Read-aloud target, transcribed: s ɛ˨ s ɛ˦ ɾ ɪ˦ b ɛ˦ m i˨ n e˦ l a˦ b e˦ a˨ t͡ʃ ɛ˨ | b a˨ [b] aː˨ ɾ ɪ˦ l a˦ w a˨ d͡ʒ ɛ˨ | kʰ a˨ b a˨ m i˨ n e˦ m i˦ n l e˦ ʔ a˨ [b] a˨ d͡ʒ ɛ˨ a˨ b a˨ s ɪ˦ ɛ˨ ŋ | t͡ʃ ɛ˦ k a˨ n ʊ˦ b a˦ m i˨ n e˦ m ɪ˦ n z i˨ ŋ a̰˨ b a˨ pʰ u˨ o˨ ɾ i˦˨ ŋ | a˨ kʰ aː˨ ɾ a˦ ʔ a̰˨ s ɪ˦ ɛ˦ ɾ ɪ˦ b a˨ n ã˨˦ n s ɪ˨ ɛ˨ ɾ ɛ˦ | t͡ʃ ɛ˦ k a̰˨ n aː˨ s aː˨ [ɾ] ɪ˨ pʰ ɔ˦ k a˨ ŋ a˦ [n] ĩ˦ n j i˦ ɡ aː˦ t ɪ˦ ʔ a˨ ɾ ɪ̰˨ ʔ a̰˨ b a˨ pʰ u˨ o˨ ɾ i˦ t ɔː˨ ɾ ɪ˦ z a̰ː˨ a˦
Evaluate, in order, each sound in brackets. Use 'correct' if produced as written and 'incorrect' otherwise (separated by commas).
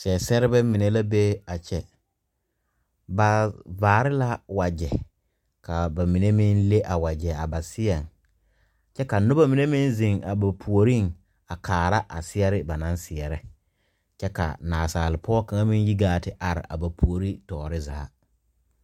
incorrect, incorrect, incorrect, incorrect